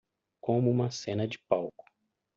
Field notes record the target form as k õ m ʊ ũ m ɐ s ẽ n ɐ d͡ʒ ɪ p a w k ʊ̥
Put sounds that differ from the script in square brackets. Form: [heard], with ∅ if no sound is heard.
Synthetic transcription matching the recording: k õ m ʊ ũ m ɐ s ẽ n ɐ d͡ʒ ɪ p a w k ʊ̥